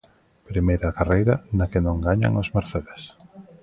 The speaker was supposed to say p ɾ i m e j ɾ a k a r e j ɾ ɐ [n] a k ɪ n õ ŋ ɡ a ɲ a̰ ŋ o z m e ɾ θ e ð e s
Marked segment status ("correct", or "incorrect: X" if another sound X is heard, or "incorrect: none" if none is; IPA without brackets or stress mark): correct